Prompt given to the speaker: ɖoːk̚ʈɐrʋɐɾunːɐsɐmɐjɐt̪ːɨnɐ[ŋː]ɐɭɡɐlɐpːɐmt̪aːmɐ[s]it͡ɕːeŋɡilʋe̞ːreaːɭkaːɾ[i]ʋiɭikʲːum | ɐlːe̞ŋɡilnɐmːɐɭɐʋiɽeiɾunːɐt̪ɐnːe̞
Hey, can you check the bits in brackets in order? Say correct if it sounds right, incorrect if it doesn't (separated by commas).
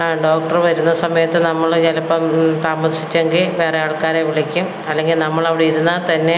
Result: incorrect, correct, incorrect